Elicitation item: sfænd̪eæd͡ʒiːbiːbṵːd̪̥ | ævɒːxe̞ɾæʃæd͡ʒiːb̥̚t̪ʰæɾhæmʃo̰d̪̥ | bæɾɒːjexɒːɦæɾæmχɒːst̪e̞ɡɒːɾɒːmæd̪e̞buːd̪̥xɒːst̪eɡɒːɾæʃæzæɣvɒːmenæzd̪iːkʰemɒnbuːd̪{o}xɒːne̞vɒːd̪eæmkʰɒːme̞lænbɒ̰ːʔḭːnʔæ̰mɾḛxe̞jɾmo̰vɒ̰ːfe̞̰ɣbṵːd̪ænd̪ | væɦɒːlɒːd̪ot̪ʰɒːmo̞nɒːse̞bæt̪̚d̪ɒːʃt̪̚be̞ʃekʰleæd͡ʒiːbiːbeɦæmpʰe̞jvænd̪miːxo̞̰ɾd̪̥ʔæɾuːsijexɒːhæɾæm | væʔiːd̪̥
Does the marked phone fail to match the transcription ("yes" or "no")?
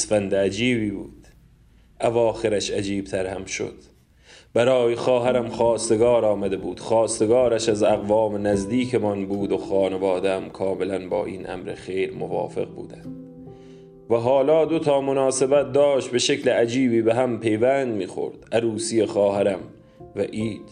no